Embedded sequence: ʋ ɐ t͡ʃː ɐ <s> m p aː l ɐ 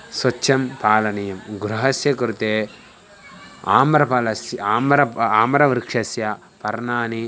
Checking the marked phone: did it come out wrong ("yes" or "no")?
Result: yes